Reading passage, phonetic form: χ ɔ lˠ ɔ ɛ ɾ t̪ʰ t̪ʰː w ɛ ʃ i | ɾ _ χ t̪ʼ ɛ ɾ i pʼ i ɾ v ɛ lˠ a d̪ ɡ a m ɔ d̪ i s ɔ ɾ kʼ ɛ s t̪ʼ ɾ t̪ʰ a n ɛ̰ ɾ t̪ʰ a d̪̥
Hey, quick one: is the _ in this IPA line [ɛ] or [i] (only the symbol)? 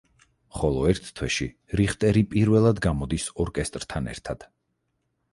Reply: i